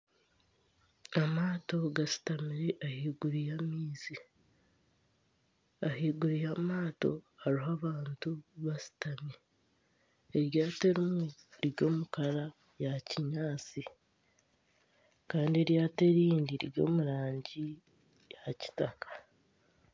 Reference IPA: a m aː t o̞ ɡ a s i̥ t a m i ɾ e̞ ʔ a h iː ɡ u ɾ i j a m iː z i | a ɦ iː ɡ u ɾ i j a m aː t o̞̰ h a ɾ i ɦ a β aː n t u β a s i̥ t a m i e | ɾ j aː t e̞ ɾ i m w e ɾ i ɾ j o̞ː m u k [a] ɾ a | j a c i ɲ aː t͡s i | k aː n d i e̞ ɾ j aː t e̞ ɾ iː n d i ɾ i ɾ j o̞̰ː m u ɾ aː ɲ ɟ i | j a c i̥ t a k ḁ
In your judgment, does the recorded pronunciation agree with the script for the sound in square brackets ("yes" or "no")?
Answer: yes